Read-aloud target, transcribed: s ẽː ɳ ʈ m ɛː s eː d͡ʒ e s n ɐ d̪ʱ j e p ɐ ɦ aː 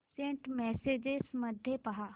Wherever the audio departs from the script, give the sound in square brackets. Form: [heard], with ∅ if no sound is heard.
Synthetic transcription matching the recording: s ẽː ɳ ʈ m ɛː s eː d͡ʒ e s [m] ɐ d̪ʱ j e p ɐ ɦ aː

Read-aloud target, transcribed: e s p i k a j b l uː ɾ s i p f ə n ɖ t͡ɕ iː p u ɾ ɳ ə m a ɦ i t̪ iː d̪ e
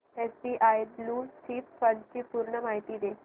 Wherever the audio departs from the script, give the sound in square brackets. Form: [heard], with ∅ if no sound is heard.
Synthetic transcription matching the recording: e s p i [ʔ] a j b l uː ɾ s i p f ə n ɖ t͡ɕ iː p u ɾ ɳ ə m a ɦ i t̪ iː d̪ e

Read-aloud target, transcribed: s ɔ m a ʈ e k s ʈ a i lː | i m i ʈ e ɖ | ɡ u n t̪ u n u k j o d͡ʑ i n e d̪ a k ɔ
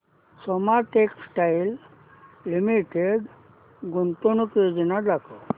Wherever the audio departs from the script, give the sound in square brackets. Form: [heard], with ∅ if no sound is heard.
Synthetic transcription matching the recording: s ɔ m a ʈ e k s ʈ a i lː | i m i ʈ e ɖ | ɡ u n t̪ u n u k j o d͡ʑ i n [a] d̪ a k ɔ

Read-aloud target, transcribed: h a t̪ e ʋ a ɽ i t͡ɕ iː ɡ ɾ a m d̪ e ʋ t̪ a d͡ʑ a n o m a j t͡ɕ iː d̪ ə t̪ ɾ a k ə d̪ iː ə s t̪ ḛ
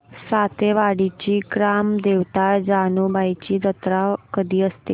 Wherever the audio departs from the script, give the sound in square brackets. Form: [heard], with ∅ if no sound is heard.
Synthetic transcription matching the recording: [s] a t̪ e ʋ a ɽ i t͡ɕ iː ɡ ɾ a m d̪ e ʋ t̪ a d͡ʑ a n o [b] a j t͡ɕ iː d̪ ə t̪ ɾ a k ə d̪ iː ə s t̪ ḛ

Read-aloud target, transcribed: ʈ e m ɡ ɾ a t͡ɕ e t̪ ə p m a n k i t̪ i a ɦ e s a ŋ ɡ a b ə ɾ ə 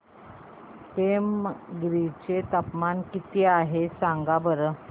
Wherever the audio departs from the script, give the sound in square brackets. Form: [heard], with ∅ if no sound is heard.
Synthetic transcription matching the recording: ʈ e m ɡ ɾ [i] t͡ɕ e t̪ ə p m a n k i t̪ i a ɦ e s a ŋ ɡ a b ə ɾ ə

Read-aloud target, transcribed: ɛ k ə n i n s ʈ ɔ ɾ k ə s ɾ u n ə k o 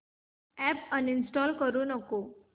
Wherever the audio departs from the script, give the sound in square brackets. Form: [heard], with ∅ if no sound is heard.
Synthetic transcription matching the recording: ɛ [p] ə n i n s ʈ ɔ [l] k ə [∅] ɾ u n ə k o

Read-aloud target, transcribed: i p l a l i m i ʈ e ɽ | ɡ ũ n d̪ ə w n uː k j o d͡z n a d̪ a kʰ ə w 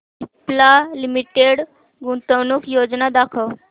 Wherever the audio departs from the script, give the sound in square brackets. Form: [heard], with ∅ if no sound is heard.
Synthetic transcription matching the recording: i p l a l i m i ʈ e ɽ | ɡ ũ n [t̪] ə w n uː k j o d͡z n a d̪ a kʰ ə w

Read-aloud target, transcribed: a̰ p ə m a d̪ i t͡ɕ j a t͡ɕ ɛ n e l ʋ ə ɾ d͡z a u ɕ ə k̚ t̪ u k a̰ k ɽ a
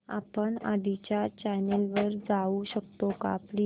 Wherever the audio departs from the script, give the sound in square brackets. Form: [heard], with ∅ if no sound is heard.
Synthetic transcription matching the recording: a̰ p ə [ɳ] a d̪ i t͡ɕ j a t͡ɕ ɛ n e l ʋ ə ɾ d͡z a u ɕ ə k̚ t̪ [o] k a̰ [p] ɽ [i]

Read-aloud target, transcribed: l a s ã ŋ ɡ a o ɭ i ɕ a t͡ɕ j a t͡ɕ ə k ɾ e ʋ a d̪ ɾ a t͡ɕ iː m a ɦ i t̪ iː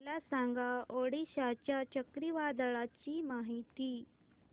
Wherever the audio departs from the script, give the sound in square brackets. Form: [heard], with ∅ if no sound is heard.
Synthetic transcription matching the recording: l a s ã ŋ ɡ a o [ɽ] i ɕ a t͡ɕ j a t͡ɕ ə k ɾ [i] ʋ a d̪ [ɭ] a t͡ɕ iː m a ɦ i t̪ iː

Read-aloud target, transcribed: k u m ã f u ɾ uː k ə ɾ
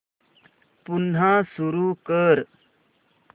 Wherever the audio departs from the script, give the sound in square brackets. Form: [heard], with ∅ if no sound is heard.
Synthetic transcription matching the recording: [p] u [n] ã [s] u ɾ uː k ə ɾ

